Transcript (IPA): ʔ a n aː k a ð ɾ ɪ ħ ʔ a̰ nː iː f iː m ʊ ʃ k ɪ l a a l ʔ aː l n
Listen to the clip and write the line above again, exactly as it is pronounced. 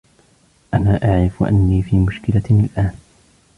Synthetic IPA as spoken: ʔ a n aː ʔ a ʕ ɾ ɪ f ʔ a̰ nː iː f iː m ʊ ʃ k ɪ l a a l ʔ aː n